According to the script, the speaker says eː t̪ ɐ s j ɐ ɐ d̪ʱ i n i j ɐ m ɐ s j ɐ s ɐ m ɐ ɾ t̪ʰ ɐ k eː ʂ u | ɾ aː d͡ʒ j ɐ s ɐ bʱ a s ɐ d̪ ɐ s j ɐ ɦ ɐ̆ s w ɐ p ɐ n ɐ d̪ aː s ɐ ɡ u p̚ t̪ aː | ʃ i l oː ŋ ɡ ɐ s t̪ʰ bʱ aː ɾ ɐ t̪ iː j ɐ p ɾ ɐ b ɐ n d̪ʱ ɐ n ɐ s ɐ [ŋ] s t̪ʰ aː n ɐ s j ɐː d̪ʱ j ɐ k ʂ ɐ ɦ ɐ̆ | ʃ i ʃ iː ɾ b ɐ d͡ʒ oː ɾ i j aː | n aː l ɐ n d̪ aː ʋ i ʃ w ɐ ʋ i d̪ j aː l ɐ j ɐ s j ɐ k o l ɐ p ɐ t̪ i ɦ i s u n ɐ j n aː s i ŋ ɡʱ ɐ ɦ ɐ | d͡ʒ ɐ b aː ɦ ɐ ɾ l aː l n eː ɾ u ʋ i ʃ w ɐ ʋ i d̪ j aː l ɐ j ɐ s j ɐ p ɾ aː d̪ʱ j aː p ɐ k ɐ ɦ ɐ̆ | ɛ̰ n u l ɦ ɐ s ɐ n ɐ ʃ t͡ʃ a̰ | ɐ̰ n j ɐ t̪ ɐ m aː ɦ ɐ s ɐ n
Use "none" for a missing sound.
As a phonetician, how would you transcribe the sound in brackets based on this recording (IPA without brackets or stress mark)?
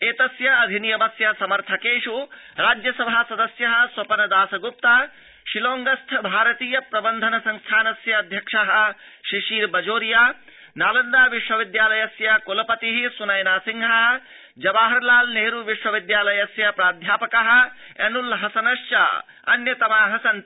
ŋ